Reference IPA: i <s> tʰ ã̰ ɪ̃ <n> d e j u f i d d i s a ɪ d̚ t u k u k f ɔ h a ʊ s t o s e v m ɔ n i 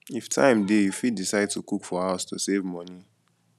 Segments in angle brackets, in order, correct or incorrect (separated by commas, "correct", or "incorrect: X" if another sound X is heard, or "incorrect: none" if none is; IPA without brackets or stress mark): incorrect: f, incorrect: m